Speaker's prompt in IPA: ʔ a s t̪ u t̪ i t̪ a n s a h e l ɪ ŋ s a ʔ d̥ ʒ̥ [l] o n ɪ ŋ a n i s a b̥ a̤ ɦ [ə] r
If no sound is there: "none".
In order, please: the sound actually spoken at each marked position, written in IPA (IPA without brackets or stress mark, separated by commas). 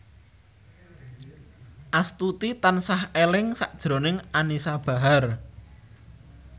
ɾ, a